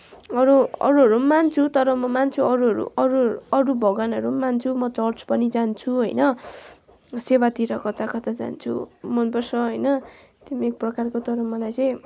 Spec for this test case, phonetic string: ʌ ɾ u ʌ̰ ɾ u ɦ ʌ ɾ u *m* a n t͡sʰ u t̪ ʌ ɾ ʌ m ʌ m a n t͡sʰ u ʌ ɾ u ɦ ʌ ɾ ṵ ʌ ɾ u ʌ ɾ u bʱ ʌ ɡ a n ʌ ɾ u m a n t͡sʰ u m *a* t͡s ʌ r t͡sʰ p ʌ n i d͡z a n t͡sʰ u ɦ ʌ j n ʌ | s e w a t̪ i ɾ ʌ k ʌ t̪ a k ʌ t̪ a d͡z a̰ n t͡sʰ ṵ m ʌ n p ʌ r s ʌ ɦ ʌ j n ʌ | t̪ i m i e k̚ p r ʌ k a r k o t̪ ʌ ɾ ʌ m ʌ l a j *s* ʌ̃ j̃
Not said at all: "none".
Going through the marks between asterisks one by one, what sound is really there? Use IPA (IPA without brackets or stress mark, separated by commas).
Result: m, ʌ, t͡s